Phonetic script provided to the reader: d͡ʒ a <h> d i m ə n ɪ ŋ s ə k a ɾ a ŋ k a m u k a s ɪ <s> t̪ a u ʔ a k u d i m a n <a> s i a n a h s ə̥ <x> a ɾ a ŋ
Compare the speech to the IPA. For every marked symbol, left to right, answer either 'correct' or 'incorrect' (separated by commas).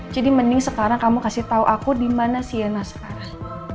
incorrect, incorrect, correct, incorrect